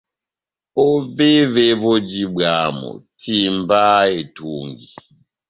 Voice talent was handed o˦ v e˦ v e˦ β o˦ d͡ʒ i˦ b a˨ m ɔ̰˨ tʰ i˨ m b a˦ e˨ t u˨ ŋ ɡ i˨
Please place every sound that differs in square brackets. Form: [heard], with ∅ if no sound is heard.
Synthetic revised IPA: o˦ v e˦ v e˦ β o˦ d͡ʒ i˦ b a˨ m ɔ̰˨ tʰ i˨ m b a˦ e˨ t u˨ ŋ ɡ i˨